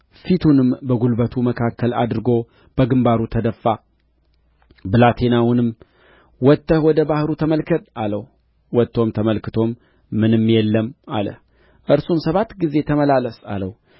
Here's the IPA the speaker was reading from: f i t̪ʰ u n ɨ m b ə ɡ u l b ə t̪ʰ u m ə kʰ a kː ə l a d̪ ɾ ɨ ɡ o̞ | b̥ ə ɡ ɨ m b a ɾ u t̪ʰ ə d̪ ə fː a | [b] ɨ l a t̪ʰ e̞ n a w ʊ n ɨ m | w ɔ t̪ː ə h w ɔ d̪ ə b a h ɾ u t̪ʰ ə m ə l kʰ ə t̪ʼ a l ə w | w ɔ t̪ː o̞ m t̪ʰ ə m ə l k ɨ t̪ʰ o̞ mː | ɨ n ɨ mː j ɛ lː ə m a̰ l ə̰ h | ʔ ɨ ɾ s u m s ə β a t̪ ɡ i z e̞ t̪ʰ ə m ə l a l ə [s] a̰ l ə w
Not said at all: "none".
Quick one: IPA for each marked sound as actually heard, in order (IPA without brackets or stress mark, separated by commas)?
b, s